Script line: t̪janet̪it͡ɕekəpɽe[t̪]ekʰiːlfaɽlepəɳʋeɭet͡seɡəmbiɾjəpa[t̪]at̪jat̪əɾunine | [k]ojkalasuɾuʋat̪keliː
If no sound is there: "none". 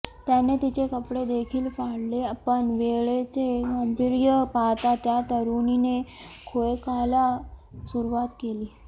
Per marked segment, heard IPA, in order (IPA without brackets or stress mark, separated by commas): d̪, t̪, kʰ